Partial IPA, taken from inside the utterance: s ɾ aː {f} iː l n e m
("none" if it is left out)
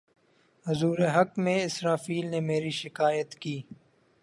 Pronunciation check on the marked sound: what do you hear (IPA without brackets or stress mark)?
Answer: f